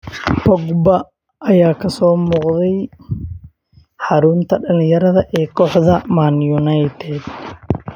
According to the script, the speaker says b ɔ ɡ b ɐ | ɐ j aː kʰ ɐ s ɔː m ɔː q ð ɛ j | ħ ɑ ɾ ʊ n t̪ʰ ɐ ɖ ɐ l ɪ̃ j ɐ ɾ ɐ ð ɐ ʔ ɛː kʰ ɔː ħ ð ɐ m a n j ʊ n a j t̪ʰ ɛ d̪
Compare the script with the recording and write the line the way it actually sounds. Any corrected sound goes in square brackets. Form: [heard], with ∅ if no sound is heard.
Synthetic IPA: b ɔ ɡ b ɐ | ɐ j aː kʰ ɐ s ɔː m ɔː q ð ɛ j | ħ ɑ ɾ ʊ n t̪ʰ ɐ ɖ ɐ l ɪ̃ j ɐ ɾ ɐ ð ɐ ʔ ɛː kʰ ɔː ħ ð ɐ m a n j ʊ n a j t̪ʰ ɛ d̪